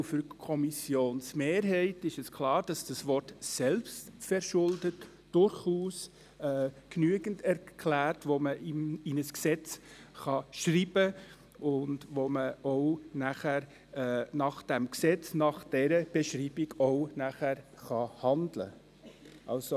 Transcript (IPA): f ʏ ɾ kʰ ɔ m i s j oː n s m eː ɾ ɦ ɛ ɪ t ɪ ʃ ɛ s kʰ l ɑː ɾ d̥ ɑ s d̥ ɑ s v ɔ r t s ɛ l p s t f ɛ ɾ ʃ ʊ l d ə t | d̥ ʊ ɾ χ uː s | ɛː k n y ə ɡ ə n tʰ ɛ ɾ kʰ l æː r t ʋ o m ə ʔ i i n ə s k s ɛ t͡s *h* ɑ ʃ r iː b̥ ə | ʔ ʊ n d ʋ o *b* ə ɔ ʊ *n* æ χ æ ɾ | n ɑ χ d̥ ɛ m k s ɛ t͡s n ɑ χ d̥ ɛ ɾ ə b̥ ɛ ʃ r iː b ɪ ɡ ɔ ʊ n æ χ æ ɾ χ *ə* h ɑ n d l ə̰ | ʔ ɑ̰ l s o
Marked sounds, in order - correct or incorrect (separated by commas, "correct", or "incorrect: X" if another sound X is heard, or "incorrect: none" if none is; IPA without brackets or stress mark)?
incorrect: χ, incorrect: m, correct, incorrect: ɑ